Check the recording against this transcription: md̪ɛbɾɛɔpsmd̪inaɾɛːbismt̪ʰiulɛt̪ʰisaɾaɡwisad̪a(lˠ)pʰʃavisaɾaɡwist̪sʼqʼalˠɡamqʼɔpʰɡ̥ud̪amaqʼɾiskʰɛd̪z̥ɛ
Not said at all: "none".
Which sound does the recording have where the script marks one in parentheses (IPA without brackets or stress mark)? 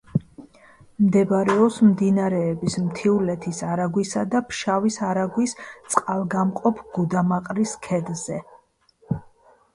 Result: none